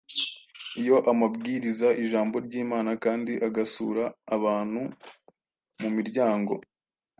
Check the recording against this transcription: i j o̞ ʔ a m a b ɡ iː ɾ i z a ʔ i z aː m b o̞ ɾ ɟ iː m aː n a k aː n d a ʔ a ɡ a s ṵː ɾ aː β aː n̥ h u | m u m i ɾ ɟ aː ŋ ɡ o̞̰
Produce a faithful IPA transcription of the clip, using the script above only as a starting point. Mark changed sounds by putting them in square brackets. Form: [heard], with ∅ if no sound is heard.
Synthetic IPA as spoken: i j o̞ ʔ a m a b ɡ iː ɾ i z a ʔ i [ʒ] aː m b o̞ ɾ ɟ iː m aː n a k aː n d [i] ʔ a ɡ a s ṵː ɾ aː β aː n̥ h u | m u m i ɾ ɟ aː ŋ ɡ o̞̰